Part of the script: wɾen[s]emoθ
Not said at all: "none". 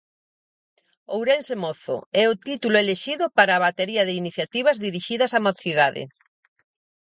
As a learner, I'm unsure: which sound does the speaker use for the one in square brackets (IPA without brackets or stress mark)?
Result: s